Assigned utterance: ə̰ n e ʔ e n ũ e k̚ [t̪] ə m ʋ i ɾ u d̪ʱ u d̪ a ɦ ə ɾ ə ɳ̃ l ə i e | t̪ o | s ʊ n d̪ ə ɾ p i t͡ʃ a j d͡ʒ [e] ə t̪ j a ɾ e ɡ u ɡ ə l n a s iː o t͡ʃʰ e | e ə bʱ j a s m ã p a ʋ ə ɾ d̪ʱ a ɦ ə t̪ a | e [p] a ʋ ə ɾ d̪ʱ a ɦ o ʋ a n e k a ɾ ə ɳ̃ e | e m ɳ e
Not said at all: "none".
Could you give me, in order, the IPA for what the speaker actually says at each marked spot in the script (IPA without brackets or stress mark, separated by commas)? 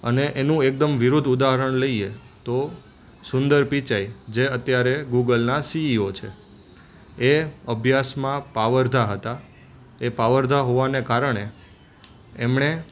d̪, e, p